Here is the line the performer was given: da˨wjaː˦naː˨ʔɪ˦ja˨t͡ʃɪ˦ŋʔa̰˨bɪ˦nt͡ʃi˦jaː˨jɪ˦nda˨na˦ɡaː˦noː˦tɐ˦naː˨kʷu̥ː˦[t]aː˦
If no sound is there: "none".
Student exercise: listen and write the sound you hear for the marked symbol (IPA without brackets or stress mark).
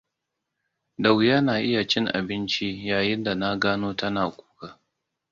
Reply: k